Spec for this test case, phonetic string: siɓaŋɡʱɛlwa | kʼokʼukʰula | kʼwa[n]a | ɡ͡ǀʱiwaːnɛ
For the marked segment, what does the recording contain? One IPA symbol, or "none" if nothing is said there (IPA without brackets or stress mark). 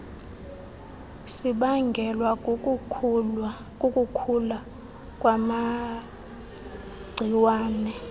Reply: m